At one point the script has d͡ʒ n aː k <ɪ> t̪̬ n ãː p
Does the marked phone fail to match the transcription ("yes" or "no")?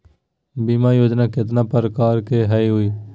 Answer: no